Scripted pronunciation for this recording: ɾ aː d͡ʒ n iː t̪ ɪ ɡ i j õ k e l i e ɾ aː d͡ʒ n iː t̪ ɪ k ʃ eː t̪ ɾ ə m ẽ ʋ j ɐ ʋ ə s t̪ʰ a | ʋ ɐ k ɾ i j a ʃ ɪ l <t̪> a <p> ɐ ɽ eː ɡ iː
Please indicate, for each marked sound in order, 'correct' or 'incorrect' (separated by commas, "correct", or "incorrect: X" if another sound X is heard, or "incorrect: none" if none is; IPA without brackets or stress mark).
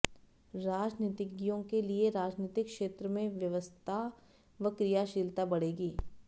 correct, incorrect: b